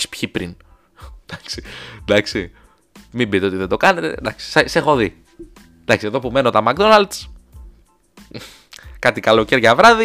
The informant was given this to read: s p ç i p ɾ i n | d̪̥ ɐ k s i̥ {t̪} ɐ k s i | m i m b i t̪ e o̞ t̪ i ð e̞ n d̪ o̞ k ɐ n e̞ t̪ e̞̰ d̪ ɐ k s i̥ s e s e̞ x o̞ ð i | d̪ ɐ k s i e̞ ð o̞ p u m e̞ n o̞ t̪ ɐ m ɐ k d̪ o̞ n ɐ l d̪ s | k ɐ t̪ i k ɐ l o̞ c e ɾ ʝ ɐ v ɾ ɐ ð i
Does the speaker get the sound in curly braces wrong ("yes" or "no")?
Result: yes